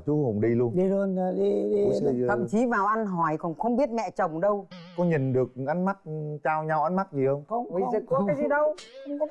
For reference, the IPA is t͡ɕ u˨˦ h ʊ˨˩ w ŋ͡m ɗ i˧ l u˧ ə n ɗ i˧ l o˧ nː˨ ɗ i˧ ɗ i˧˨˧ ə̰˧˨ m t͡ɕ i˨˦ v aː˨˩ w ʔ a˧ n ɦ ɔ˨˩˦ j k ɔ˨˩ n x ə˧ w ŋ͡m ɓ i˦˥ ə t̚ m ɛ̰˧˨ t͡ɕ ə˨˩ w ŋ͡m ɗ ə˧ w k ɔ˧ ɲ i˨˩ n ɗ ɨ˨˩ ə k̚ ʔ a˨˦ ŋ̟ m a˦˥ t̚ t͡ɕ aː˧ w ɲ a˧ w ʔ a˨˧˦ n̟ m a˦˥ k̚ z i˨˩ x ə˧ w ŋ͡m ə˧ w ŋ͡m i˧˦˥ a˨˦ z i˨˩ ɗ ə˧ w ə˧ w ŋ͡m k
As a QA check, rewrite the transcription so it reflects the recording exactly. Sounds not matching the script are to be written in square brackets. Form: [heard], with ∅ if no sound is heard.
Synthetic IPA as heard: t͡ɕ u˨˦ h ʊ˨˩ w ŋ͡m ɗ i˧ l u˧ ə n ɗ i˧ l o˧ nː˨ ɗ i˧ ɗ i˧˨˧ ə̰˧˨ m t͡ɕ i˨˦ v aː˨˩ w ʔ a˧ n ɦ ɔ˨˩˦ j k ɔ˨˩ n x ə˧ w ŋ͡m ɓ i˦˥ ə t̚ m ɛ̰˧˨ t͡ɕ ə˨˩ w ŋ͡m ɗ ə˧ w k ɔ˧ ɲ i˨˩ n ɗ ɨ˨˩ ə k̚ ʔ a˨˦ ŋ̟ m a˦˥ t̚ t͡ɕ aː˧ w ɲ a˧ w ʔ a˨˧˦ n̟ m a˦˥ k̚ z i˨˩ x ə˧ w ŋ͡m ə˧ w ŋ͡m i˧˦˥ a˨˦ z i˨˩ ɗ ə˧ w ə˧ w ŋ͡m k